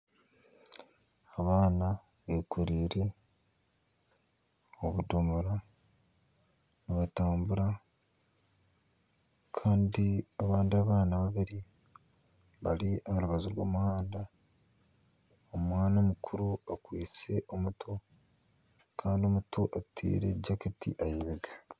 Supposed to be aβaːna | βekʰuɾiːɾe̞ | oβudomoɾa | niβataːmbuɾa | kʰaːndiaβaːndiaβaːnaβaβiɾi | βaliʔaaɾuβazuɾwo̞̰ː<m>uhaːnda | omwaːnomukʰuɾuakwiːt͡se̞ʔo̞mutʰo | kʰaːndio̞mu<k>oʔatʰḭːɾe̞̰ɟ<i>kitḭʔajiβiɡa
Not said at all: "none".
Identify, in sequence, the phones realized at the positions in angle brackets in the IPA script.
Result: m, t, a

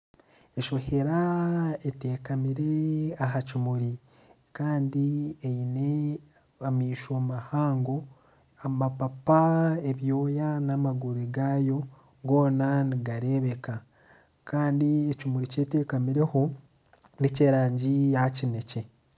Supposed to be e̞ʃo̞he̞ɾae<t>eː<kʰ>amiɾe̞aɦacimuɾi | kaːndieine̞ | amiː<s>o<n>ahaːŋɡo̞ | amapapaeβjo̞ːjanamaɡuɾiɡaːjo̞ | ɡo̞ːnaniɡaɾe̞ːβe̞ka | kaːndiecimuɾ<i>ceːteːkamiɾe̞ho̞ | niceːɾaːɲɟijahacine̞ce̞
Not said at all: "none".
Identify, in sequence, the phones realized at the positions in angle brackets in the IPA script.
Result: t, k, ʃ, m, i

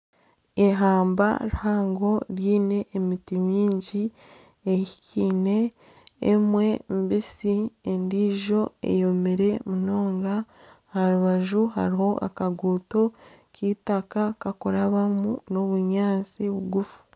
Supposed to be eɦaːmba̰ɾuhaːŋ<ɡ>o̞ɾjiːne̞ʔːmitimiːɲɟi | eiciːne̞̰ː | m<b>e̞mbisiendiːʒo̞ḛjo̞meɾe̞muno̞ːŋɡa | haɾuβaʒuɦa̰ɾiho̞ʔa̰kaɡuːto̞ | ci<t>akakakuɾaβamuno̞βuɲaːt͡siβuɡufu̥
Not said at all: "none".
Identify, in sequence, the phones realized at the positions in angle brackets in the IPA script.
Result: ɡ, w, t

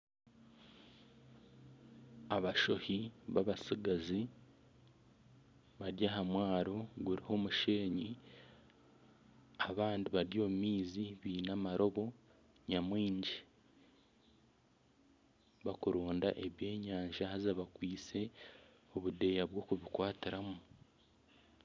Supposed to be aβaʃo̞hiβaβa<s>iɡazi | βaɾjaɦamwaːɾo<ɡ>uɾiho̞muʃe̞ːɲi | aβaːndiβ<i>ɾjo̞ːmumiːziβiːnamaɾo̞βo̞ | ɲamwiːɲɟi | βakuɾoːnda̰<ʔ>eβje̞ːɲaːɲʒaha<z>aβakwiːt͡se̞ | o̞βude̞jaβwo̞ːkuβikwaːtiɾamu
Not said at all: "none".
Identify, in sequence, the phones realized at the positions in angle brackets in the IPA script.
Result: s, ɡ, a, ʔ, z

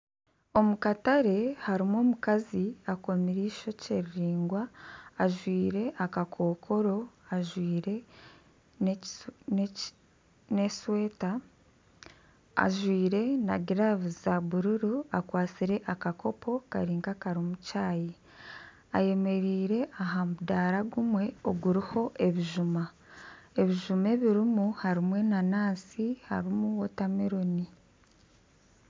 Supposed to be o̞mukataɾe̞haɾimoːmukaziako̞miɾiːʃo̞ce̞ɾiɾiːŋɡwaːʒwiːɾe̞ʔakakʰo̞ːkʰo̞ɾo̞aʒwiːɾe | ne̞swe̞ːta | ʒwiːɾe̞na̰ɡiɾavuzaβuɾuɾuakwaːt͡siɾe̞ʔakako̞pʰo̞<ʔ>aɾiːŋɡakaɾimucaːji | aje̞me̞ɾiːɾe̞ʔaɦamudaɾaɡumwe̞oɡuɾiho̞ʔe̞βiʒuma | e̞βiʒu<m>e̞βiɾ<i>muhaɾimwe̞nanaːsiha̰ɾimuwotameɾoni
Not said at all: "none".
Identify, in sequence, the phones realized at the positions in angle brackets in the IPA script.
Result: k, m, i

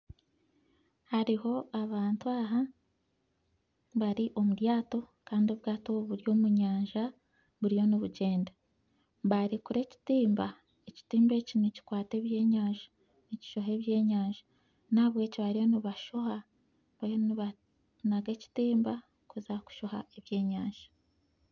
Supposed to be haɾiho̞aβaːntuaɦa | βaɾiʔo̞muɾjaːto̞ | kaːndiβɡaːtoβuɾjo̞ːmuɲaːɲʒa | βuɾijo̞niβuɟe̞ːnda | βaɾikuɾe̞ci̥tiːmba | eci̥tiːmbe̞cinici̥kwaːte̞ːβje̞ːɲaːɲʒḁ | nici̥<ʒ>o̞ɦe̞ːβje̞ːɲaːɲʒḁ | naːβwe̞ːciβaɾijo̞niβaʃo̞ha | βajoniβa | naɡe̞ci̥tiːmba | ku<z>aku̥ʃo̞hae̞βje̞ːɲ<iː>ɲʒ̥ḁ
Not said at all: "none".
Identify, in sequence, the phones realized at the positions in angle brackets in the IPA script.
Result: ʃ, z, aː

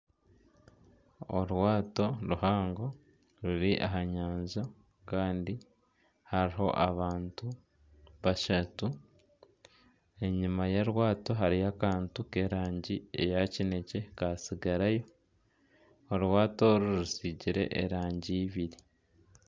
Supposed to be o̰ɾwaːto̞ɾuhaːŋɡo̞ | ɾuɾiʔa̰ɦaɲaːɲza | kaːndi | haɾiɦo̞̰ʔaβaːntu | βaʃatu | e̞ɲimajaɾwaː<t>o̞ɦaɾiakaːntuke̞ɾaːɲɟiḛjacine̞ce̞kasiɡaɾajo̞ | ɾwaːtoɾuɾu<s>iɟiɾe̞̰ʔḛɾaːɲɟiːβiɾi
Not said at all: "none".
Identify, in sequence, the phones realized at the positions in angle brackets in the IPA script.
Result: t, s

